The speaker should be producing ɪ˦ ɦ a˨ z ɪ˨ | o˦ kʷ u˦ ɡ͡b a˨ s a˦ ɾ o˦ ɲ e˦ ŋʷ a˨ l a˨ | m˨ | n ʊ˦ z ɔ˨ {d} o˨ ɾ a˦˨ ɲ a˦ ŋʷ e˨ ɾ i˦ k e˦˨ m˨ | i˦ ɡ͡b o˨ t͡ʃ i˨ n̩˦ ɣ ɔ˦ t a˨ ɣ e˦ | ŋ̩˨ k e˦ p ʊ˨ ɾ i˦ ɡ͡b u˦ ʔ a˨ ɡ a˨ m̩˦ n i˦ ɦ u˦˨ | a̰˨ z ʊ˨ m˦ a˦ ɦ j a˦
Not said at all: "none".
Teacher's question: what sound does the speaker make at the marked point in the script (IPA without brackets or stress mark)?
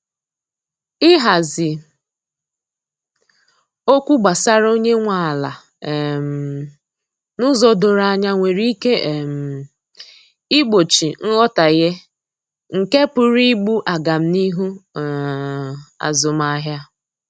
d